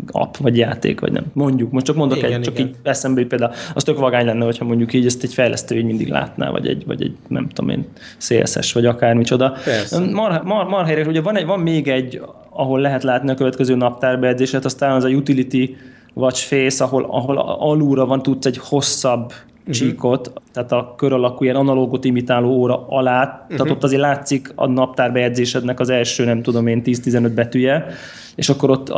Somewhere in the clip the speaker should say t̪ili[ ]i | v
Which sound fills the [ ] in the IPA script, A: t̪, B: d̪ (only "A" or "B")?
A